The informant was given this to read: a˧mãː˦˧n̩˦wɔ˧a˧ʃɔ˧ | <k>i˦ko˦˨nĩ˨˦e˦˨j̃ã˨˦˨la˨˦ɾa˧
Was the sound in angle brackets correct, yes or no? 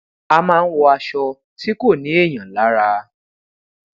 no